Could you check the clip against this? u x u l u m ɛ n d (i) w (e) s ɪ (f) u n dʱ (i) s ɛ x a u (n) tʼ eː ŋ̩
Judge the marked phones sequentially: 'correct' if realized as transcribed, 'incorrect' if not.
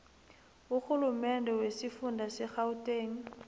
incorrect: ɛ, correct, correct, incorrect: a, incorrect: none

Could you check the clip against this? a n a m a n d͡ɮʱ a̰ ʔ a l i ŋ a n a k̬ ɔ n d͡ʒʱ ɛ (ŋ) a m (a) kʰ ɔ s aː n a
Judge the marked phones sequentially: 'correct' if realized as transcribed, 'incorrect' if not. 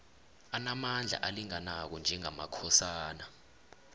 correct, correct

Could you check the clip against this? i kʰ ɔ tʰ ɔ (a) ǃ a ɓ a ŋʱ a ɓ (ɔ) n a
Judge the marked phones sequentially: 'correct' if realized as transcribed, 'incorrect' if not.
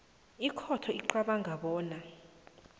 incorrect: i, incorrect: ɔː

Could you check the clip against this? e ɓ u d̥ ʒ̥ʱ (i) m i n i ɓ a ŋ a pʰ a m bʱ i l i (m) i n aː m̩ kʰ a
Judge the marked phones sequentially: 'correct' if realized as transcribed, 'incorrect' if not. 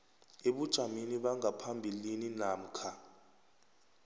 incorrect: a, incorrect: n

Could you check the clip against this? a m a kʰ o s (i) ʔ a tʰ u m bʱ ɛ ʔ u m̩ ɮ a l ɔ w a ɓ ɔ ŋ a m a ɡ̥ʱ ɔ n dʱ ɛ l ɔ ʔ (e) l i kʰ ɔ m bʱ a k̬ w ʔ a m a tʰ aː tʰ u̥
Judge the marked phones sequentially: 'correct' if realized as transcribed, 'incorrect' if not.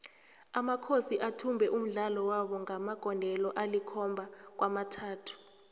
correct, incorrect: a

